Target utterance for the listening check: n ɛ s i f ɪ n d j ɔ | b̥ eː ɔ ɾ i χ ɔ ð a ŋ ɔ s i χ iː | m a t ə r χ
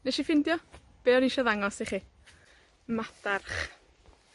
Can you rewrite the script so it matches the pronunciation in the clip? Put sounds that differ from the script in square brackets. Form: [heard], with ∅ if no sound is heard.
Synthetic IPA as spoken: n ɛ [ʃ] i f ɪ n d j ɔ | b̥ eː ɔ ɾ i [ʃ] ɔ ð a ŋ ɔ s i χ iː | m a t [a] r χ